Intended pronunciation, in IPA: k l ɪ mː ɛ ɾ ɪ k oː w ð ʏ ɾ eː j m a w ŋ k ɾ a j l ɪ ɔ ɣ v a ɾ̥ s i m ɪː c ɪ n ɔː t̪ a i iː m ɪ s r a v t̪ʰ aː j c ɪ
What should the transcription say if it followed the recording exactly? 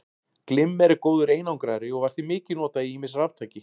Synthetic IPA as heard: k l ɪ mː ɛ ɾ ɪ k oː w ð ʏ ɾ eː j n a w ŋ k ɾ a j ɾ ɪ ɔ ɣ v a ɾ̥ θ i m ɪː c ɪ n ɔː t̪ a i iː m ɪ s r a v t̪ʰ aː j c ɪ